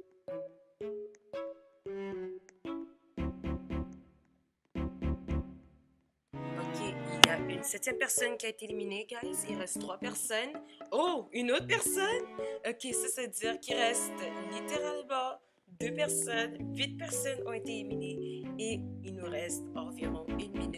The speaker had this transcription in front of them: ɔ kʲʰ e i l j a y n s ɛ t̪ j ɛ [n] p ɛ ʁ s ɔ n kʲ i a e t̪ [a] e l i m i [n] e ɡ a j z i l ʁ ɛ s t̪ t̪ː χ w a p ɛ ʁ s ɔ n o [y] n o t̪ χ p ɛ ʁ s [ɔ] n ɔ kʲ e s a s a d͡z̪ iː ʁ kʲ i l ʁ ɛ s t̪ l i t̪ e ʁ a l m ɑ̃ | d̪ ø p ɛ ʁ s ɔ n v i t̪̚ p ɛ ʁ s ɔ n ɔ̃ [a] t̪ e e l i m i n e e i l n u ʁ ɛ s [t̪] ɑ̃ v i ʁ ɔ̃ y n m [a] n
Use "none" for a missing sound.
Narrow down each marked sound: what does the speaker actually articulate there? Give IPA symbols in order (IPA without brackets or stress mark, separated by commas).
m, e, n, y, ɔ, e, t̪, i